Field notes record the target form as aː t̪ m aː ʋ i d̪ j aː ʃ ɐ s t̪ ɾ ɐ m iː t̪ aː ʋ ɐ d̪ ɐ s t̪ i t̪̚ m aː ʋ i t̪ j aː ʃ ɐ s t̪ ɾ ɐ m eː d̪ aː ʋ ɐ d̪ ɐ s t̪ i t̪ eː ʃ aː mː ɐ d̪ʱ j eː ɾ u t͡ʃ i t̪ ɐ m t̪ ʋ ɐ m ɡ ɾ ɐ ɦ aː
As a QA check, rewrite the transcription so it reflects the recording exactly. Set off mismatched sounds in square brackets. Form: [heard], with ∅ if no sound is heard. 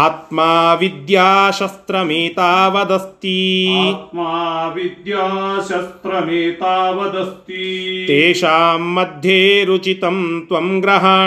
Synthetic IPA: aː t̪ m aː ʋ i d̪ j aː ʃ ɐ s t̪ ɾ ɐ m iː t̪ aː ʋ ɐ d̪ ɐ s t̪ i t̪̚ m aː ʋ i [d̪] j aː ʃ ɐ s t̪ ɾ ɐ m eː [t̪] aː ʋ ɐ d̪ ɐ s t̪ i t̪ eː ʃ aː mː ɐ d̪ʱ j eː ɾ u t͡ʃ i t̪ ɐ m t̪ ʋ ɐ m ɡ ɾ ɐ ɦ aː